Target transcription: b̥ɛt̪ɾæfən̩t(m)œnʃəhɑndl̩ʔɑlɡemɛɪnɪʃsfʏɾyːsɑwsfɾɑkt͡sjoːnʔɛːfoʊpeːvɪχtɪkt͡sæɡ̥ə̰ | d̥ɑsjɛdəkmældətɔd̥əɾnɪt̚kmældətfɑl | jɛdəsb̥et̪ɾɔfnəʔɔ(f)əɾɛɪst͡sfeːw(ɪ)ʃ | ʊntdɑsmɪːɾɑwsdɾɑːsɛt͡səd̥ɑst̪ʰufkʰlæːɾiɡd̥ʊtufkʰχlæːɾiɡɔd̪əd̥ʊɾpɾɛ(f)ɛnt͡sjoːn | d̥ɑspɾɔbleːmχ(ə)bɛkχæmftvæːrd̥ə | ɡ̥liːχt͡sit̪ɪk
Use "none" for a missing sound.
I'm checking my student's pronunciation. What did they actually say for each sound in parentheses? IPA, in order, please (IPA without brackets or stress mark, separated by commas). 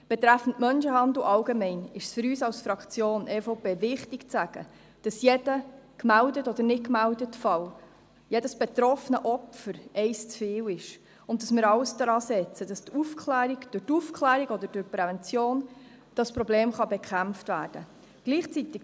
m, f, ɪ, v, ɑ